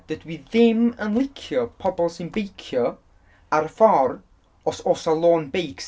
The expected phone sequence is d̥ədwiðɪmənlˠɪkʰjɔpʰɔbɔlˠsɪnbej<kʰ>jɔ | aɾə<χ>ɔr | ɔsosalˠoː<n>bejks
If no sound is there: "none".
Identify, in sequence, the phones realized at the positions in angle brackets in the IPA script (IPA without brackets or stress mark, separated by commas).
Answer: kʰ, f, n